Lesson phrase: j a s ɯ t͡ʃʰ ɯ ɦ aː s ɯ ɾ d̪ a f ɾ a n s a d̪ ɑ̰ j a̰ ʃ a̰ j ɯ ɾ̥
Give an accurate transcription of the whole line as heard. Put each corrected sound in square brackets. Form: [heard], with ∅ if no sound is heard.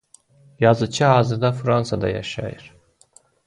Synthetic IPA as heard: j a [z] ɯ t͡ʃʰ ɯ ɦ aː [z] ɯ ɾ d̪ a f ɾ a n s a d̪ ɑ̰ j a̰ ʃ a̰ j ɯ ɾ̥

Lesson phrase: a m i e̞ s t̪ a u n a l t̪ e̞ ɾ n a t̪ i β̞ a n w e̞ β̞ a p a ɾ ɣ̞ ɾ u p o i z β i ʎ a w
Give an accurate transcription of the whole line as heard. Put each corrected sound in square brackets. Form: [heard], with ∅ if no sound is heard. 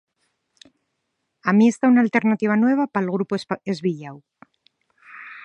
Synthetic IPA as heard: a m i e̞ s t̪ a u n a l t̪ e̞ ɾ n a t̪ i β̞ a n w e̞ β̞ a p a [l] ɣ̞ ɾ u p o [e] z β i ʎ a w

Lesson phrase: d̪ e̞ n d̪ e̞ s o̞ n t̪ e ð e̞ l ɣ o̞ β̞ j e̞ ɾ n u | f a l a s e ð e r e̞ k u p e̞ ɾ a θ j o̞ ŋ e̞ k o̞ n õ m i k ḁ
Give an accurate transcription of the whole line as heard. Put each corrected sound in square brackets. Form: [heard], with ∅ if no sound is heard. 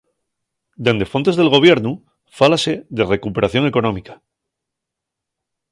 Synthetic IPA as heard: d̪ e̞ n d̪ e̞ [f] o̞ n t̪ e ð e̞ l ɣ o̞ β̞ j e̞ ɾ n u | f a l a s e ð e r e̞ k u p e̞ ɾ a θ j o̞ ŋ e̞ k o̞ n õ m i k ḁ

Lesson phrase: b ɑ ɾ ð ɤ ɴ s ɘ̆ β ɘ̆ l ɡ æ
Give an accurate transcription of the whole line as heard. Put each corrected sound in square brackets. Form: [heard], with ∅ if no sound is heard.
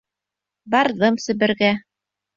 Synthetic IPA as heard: b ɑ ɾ ð ɤ [m] s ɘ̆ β ɘ̆ [ɾ] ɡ æ

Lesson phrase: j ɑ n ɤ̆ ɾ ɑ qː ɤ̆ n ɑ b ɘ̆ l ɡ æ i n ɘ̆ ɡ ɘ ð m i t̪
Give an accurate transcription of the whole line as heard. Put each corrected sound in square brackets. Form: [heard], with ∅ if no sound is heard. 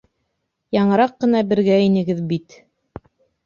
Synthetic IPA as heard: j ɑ [ɴ] ɤ̆ ɾ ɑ qː ɤ̆ n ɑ b ɘ̆ [ɾ] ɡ æ i n ɘ̆ ɡ ɘ ð [b] i t̪

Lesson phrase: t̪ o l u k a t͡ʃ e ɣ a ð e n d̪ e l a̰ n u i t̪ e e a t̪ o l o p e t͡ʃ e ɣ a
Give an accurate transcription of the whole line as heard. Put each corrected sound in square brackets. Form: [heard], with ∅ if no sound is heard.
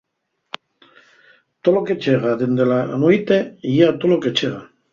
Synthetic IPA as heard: t̪ o l [o] k [e] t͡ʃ e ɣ a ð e n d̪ e l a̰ n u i t̪ e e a t̪ o l o [k] e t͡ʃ e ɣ a

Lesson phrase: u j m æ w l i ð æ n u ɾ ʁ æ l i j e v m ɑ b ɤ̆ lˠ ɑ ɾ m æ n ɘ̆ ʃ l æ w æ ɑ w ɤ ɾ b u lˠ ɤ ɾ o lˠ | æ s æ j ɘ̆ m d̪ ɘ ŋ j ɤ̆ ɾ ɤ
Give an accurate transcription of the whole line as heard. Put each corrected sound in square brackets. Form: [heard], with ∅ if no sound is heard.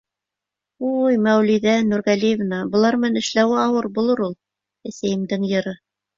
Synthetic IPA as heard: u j m æ w l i ð æ n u ɾ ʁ æ l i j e v [n] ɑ b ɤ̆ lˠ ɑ ɾ m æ n ɘ̆ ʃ l æ w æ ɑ w ɤ ɾ b u lˠ ɤ ɾ [u] lˠ | æ s æ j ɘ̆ m d̪ ɘ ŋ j ɤ̆ ɾ ɤ

